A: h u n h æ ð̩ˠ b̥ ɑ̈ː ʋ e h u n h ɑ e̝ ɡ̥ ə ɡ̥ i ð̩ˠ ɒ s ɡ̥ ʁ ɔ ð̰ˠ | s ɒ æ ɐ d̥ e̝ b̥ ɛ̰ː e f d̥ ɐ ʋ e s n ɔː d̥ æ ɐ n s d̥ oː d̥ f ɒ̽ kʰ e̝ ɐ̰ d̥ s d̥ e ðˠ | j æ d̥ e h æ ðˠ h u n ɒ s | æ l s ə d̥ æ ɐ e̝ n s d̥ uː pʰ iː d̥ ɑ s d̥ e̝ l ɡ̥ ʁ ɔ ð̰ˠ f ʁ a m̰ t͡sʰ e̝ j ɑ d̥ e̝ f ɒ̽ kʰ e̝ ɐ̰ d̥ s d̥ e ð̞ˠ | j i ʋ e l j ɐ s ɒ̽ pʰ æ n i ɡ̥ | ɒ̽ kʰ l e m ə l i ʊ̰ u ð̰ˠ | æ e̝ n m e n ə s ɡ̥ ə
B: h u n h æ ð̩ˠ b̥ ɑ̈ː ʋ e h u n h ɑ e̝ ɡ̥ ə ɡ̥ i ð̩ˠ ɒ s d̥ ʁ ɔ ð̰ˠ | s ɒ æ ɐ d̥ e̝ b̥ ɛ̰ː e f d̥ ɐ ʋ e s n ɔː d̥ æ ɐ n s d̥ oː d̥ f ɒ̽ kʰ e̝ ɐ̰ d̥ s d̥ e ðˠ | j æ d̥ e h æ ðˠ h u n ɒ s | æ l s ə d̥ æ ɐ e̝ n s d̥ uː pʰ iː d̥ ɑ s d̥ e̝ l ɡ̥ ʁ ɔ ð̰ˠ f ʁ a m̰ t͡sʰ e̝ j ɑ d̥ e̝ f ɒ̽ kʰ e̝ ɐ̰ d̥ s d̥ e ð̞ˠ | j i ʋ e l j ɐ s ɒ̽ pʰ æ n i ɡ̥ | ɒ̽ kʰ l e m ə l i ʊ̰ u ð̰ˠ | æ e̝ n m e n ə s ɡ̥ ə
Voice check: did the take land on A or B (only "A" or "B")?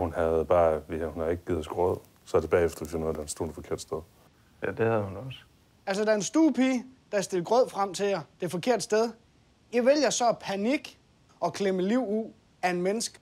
A